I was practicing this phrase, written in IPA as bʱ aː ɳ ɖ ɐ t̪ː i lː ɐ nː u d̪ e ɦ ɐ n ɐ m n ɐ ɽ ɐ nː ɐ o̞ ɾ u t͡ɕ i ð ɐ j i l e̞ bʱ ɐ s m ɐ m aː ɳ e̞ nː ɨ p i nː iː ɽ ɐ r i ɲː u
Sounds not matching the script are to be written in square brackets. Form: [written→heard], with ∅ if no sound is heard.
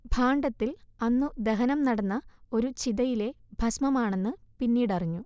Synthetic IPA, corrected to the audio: bʱ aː ɳ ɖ ɐ t̪ː i [lː→l] ɐ nː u d̪ e ɦ ɐ n ɐ m n ɐ ɽ ɐ nː ɐ o̞ ɾ u t͡ɕ i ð ɐ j i l e̞ bʱ ɐ s m ɐ m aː ɳ e̞ nː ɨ p i nː iː ɽ ɐ r i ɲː u